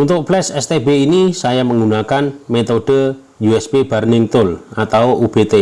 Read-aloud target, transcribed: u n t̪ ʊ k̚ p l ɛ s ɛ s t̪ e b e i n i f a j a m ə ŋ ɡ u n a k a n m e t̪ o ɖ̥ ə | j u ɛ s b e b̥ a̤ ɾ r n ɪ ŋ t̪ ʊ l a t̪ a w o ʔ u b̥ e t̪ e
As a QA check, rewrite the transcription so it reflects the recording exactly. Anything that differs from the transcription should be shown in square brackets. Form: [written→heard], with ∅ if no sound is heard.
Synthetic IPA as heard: u n t̪ ʊ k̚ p l ɛ s ɛ s t̪ e b e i n i [f→s] a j a m ə ŋ ɡ u n a k a n m e t̪ o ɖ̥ ə | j u ɛ s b e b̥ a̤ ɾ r n ɪ ŋ t̪ ʊ l a t̪ a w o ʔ u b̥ e t̪ e